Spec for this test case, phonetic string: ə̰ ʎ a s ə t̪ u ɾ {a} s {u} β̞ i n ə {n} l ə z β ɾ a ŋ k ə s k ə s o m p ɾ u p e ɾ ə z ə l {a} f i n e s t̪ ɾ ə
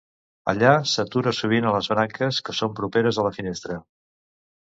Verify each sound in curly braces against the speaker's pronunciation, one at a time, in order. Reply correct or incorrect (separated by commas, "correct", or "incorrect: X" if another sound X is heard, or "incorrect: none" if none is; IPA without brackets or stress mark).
incorrect: ə, correct, incorrect: none, incorrect: ə